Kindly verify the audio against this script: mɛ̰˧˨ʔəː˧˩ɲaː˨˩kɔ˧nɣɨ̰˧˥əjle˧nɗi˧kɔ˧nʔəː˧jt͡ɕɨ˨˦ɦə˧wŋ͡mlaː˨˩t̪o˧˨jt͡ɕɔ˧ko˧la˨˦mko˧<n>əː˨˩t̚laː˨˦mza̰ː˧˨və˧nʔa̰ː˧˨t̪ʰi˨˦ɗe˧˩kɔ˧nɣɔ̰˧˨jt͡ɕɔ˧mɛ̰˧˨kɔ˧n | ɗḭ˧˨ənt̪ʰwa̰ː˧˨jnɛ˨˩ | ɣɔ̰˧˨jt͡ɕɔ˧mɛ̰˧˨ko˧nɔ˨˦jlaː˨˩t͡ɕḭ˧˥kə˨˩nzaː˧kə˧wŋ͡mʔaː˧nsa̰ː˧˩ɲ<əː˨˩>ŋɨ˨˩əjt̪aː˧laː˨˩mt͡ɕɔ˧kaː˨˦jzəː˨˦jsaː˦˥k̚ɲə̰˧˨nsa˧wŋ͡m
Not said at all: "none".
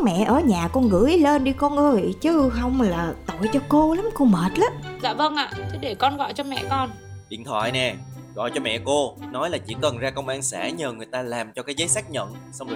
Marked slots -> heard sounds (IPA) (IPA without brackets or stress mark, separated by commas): m, əː˨˩